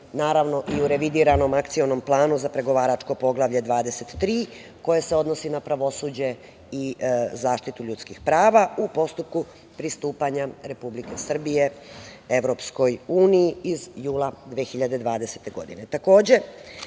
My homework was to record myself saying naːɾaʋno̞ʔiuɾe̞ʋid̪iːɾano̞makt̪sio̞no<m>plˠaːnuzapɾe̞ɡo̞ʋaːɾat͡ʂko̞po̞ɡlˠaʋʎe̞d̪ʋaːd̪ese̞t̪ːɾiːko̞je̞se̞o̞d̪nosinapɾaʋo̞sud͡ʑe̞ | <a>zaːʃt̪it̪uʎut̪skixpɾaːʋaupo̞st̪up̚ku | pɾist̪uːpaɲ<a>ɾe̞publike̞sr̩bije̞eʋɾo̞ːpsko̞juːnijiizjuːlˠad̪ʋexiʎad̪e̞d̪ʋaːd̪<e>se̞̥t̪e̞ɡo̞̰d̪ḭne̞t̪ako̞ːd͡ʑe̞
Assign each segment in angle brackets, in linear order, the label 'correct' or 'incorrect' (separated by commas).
correct, incorrect, correct, correct